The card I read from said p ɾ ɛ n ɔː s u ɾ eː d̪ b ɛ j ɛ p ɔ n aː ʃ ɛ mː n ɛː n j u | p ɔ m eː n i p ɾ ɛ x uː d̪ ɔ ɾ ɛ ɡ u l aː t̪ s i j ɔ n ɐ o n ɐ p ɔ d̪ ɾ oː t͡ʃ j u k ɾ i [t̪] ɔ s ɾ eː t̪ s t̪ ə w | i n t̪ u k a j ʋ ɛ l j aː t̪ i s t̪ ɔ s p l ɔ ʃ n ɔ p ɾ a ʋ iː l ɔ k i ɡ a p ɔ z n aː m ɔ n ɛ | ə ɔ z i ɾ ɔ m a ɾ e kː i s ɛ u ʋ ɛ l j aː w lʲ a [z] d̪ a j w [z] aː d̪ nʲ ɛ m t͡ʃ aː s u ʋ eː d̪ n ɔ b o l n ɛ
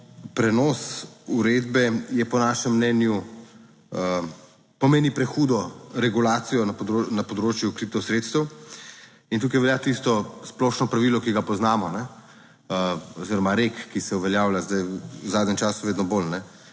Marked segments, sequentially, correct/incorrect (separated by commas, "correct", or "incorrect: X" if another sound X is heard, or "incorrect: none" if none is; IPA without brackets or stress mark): correct, correct, correct